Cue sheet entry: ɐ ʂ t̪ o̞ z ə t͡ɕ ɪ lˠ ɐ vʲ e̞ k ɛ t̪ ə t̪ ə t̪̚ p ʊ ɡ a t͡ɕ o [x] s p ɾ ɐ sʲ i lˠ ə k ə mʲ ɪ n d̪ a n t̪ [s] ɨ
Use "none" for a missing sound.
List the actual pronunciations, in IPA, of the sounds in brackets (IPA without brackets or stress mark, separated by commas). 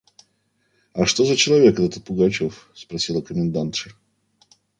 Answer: f, ʂ